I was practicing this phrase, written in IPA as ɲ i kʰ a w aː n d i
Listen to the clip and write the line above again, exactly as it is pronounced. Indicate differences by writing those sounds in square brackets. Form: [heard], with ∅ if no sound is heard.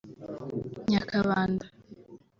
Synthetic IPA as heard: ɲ [a] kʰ a [β] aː n d [a]